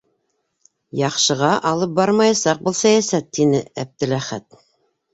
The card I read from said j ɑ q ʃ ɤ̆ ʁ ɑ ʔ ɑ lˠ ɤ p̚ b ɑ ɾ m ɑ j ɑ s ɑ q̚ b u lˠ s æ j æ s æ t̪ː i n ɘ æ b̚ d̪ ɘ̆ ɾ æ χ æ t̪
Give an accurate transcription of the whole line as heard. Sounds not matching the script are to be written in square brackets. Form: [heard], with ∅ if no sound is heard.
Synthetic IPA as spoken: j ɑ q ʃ ɤ̆ ʁ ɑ ʔ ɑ lˠ ɤ p̚ b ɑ ɾ m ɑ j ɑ s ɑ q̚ b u lˠ s æ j æ s æ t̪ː i n ɘ æ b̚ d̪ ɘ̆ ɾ æ χ æ t̪